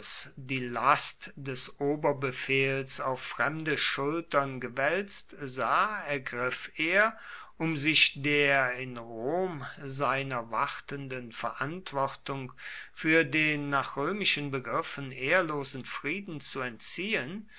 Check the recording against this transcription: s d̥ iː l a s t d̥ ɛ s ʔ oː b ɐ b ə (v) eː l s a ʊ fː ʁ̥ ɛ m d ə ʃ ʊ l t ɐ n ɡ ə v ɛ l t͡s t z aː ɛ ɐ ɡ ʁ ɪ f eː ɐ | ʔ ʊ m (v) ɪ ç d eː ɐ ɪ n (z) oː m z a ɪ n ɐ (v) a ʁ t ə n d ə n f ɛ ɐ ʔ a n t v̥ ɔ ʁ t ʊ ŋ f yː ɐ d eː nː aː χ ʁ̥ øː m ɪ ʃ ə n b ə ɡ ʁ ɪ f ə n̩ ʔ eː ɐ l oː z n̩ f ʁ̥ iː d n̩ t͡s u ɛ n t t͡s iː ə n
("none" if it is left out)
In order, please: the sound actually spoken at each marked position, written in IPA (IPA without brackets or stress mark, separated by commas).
f, z, ʁ, v